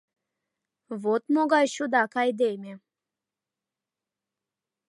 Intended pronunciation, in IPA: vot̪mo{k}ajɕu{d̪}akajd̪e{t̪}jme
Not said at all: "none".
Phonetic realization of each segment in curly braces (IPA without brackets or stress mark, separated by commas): ɡ, d̪, none